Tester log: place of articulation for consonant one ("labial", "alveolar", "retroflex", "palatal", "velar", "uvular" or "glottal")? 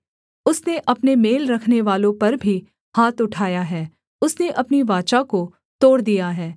alveolar